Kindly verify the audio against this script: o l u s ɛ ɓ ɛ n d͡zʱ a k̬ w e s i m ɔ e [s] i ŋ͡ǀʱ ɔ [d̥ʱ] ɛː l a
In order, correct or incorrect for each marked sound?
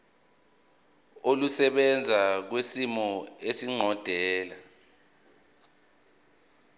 correct, correct

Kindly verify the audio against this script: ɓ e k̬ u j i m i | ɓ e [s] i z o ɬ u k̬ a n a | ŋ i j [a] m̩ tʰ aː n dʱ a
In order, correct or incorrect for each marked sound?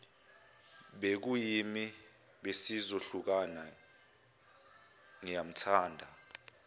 correct, correct

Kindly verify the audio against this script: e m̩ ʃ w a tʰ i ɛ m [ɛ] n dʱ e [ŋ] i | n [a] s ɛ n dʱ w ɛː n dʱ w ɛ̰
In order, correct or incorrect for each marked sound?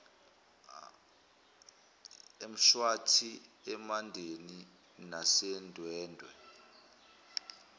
incorrect, incorrect, correct

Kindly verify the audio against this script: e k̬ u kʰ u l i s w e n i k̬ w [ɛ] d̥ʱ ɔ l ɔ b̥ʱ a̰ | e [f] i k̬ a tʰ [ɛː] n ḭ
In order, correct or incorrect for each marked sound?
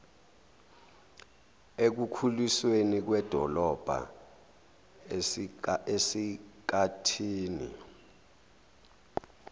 correct, incorrect, incorrect

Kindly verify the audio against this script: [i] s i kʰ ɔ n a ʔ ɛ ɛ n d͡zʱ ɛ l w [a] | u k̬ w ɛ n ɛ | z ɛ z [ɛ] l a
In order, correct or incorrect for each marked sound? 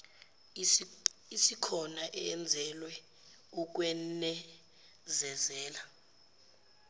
correct, incorrect, incorrect

